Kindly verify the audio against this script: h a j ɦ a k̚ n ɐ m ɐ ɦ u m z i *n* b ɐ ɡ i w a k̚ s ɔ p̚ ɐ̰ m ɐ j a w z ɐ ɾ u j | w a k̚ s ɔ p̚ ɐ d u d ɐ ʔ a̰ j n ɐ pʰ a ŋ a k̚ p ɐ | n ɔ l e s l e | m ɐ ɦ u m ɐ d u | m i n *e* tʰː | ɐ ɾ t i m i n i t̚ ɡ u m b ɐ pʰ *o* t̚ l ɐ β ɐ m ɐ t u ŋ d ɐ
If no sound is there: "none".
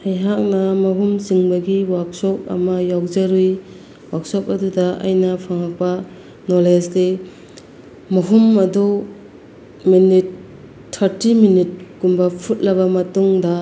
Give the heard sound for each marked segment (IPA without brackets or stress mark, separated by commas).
ŋ, i, u